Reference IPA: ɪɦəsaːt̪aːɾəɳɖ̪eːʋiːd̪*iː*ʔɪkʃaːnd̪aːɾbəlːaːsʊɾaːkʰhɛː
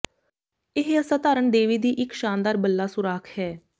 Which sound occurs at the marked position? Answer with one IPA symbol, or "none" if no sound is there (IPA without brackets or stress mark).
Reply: iː